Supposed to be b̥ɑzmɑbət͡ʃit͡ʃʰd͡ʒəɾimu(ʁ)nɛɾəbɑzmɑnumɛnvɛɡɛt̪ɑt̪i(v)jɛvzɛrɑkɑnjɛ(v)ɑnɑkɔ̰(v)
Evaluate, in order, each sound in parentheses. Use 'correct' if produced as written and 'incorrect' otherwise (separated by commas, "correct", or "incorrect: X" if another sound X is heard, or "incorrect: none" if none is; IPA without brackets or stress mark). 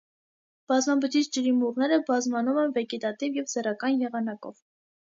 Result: correct, correct, incorrect: ʁ, correct